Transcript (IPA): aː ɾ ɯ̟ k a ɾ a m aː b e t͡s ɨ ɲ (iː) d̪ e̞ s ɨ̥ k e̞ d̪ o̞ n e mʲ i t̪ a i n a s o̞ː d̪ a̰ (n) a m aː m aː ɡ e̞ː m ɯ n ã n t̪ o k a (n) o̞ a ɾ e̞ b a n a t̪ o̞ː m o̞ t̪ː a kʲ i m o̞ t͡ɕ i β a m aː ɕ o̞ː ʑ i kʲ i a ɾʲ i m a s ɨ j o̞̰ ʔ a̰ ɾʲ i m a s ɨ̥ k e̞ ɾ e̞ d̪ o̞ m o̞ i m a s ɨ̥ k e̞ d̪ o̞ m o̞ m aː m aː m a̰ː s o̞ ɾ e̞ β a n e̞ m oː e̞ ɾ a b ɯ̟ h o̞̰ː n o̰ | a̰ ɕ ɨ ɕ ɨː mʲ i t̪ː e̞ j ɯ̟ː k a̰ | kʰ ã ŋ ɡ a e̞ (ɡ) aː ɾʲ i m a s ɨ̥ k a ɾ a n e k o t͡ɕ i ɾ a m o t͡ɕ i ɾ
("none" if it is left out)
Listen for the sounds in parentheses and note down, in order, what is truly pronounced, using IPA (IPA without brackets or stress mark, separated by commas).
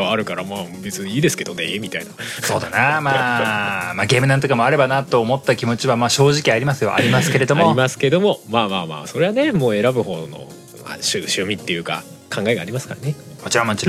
iː, n, m, ɡ